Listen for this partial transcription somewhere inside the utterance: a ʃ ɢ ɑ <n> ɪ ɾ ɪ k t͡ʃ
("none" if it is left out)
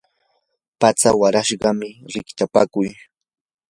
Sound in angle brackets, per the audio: m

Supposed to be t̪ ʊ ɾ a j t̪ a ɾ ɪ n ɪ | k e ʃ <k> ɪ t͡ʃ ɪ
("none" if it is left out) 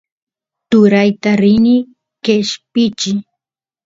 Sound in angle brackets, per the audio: p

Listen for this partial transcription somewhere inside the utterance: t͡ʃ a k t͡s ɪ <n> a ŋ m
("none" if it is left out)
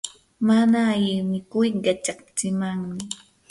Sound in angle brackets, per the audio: m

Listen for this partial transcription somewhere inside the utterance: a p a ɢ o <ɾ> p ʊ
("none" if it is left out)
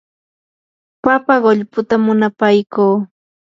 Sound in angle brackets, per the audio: ʎ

